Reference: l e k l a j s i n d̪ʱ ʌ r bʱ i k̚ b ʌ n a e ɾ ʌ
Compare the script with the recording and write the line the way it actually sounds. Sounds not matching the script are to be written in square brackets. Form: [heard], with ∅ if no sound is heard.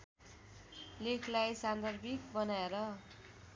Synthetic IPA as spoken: l e [kʰ] l a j s [a] n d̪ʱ ʌ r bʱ i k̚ b ʌ n a e ɾ ʌ